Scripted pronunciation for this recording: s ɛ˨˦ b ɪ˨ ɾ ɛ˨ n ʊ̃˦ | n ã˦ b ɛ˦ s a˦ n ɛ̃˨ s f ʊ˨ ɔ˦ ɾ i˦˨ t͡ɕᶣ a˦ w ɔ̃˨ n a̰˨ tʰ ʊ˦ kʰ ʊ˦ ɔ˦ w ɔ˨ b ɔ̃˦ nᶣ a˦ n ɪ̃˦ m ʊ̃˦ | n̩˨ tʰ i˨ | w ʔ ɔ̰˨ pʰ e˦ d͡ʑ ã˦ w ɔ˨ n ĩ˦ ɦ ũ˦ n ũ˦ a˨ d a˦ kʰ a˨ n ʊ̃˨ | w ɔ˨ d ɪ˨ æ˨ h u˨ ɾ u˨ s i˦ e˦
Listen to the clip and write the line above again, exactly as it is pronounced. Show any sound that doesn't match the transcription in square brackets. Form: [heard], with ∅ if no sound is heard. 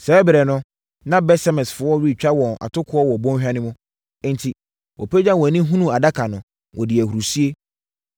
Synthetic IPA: s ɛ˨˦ b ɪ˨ ɾ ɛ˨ n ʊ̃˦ | n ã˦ b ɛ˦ s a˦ [m] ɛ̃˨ s f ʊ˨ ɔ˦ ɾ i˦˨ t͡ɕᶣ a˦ w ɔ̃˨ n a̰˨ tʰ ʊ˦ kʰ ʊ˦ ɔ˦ w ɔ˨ b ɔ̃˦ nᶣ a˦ n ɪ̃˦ m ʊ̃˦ | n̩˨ tʰ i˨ | w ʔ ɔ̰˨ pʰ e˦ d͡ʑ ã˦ w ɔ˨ n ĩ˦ ɦ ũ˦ n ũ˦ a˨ d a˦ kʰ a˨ n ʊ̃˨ | w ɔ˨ d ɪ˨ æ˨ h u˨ ɾ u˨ s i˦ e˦